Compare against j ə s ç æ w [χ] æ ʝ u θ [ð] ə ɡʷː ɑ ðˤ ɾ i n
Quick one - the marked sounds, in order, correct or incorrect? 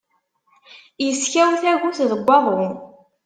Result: incorrect: θ, correct

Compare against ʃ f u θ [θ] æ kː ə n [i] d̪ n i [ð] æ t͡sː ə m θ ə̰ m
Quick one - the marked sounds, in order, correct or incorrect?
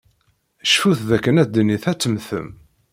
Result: incorrect: ð, incorrect: æ, incorrect: θ

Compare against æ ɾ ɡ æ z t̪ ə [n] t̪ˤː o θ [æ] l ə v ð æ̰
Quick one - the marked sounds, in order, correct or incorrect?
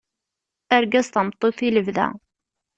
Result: incorrect: m, incorrect: i

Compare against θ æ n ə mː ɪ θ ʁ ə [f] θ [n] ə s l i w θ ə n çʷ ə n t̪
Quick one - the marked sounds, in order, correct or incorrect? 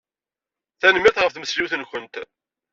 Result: correct, incorrect: m

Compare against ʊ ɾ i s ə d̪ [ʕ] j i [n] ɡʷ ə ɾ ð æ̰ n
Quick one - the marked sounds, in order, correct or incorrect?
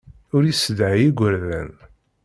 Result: correct, incorrect: none

